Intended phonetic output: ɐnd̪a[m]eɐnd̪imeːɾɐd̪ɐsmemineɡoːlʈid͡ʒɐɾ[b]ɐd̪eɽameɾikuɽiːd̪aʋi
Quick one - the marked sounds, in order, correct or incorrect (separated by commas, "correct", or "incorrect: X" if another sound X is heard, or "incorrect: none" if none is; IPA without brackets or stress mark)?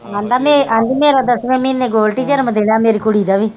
correct, incorrect: m